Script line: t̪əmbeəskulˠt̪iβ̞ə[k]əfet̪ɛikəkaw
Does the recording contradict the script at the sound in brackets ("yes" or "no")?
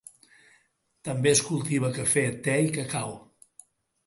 no